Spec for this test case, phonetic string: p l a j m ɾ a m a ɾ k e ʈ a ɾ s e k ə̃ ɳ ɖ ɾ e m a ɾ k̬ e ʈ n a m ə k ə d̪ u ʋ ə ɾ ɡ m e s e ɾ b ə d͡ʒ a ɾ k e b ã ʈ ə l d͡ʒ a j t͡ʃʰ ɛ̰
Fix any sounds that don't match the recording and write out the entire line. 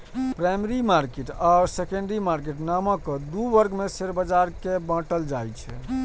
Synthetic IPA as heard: p ɾ a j m ɾ i m a ɾ k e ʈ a ɾ s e k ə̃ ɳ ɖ ɾ i m a ɾ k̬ e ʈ n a m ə k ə d̪ u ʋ ə ɾ ɡ m e s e ɾ b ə d͡ʒ a ɾ k e b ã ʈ ə l d͡ʒ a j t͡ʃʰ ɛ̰